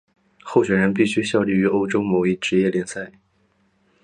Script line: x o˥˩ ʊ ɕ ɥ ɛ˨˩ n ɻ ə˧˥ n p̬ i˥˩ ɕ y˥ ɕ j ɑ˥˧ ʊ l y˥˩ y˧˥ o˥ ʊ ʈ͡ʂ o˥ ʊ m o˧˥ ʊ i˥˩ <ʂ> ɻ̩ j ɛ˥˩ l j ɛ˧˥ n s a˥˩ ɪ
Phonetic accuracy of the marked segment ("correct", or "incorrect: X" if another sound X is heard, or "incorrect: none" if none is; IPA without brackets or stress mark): incorrect: ʈ͡ʂ